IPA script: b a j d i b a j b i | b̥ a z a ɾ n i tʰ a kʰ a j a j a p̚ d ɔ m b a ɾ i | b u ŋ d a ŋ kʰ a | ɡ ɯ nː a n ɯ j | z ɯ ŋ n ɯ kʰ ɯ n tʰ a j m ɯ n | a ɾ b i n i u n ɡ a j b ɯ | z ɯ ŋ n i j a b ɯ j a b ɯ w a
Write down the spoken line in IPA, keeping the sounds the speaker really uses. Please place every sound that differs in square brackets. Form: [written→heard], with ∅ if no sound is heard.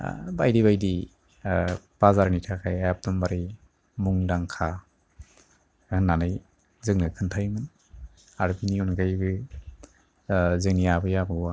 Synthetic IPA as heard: b a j d i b a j [b→d] i | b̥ a z a ɾ n i tʰ a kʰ a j a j a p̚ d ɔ m b a ɾ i | [b→m] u ŋ d a ŋ kʰ a | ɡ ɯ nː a n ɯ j | z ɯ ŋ n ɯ kʰ ɯ n tʰ a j m ɯ n | a ɾ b i n i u n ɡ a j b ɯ | z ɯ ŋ n i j a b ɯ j a b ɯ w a